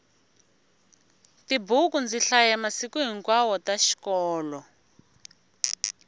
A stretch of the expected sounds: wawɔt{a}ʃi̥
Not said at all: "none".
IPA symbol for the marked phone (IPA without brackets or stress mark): a